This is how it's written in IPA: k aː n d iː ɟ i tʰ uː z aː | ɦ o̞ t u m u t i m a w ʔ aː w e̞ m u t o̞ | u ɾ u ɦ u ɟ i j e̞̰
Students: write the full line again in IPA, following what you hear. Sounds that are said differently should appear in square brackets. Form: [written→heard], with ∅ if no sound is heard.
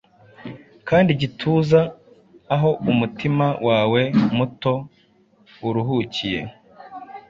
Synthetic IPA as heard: k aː n d [iː→i] ɟ i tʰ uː z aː | ɦ o̞ [t→∅] u m u t i m a w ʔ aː w e̞ m u t o̞ | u ɾ u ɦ u [ɟ→c] i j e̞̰